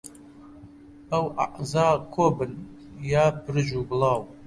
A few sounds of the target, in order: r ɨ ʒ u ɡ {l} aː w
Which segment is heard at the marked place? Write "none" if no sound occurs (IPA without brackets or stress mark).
l